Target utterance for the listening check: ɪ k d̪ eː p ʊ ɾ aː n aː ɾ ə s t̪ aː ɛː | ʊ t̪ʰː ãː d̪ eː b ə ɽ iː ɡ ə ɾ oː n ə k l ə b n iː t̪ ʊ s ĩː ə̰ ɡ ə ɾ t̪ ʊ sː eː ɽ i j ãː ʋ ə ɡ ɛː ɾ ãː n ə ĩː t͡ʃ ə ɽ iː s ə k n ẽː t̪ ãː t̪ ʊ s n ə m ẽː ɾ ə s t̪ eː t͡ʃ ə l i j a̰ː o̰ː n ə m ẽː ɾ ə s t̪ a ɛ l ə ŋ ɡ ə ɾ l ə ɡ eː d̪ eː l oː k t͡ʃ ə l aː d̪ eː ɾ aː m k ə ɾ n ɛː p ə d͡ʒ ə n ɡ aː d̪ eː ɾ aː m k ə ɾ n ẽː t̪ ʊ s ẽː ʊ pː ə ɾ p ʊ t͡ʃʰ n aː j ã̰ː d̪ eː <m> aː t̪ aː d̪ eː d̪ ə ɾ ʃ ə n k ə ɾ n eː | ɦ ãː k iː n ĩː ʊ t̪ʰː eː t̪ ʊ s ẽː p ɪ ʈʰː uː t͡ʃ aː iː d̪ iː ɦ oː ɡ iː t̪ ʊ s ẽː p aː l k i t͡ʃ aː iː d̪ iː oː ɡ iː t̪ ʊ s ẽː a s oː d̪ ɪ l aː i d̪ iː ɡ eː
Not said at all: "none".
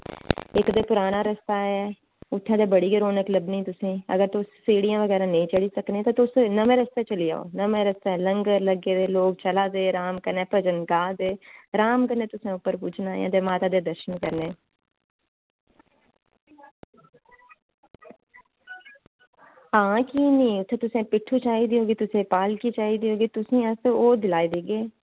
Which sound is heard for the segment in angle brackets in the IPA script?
m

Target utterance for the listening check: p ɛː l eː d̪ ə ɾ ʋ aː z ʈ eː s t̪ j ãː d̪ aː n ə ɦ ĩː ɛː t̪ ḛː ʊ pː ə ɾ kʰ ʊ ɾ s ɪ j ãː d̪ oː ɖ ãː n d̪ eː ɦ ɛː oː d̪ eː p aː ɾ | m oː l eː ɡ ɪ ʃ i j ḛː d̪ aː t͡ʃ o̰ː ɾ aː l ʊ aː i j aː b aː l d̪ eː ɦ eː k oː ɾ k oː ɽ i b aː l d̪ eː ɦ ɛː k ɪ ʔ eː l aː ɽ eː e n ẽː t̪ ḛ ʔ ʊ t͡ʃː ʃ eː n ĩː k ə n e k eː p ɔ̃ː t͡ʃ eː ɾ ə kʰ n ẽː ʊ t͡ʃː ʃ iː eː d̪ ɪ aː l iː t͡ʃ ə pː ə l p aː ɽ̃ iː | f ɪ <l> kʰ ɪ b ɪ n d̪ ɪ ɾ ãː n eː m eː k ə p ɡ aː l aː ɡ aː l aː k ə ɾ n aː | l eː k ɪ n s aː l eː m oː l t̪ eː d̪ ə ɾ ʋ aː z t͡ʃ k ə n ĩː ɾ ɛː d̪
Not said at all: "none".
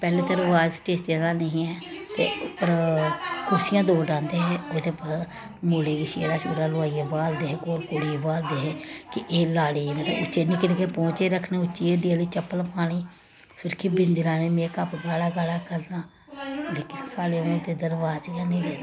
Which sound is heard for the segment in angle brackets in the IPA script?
ɾ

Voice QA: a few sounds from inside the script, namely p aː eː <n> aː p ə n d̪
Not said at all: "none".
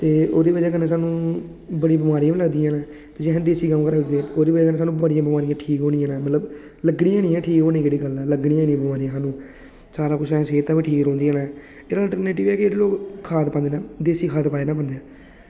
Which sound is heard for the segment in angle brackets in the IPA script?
n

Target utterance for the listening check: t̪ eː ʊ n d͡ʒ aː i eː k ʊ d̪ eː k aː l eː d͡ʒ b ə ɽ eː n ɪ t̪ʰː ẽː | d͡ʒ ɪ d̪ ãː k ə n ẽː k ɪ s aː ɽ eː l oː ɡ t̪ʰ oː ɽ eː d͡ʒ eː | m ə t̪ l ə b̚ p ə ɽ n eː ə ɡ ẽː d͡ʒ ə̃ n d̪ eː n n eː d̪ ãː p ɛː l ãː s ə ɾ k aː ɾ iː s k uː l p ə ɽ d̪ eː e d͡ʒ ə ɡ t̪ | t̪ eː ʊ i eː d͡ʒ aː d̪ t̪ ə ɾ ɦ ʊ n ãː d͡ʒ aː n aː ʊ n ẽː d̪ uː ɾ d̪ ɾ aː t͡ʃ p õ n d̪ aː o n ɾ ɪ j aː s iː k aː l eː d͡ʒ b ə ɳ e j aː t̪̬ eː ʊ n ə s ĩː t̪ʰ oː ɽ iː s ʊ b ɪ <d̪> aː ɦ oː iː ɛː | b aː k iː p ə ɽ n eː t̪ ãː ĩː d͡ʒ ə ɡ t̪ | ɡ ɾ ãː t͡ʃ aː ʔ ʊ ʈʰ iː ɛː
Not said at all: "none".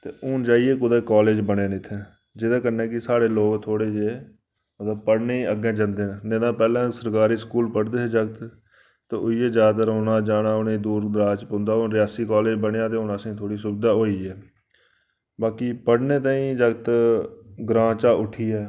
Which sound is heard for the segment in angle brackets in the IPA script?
d̪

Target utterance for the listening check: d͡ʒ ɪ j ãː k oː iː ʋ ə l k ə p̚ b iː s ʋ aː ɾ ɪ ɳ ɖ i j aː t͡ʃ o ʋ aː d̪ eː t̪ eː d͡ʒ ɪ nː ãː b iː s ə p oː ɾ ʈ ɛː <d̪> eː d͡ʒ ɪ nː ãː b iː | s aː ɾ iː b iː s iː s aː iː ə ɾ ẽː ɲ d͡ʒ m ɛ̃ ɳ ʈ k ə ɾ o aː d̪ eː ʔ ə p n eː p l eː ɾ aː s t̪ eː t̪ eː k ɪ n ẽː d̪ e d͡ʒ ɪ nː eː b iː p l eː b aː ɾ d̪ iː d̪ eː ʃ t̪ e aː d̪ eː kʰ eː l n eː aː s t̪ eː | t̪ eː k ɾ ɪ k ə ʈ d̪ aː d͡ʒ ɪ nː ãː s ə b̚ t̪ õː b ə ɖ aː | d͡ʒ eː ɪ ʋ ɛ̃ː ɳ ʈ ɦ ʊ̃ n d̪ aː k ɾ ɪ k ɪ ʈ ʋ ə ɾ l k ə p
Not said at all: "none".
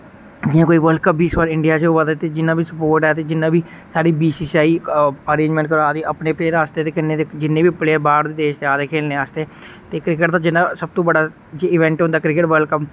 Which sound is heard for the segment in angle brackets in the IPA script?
t̪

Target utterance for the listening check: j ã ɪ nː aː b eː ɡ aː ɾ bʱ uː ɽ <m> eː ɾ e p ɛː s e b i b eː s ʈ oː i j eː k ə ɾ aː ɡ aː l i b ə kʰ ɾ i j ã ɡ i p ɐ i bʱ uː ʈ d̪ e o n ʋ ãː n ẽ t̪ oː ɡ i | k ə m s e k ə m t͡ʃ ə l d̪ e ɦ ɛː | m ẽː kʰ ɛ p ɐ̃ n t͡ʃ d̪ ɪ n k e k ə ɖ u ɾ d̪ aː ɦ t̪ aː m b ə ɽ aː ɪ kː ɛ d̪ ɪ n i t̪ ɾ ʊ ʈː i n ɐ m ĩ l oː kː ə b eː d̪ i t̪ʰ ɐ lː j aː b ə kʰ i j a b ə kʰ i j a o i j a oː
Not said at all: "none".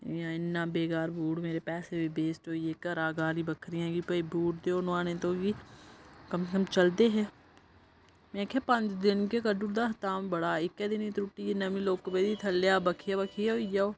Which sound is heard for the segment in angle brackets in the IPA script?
m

